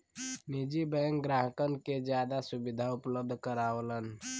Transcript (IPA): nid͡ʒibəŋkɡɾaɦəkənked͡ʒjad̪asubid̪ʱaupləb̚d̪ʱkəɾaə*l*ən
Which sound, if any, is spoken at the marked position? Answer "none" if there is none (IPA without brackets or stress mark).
l